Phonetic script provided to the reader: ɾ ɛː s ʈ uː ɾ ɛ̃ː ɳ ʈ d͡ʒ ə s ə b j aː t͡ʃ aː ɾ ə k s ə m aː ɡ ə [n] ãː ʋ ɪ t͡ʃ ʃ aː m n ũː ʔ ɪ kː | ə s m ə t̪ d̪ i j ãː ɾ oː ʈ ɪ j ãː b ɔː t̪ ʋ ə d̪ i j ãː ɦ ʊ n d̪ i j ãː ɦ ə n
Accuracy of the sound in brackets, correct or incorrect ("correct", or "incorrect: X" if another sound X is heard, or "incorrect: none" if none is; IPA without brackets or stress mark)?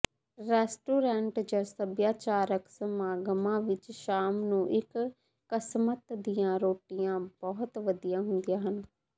incorrect: m